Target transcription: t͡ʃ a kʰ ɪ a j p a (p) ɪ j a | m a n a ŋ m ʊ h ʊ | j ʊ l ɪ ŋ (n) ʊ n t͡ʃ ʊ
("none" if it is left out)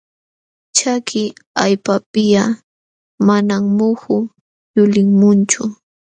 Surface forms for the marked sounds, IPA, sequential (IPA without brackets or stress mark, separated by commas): p, m